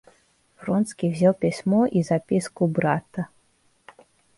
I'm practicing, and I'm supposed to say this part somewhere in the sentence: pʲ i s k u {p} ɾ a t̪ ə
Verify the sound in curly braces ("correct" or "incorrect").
incorrect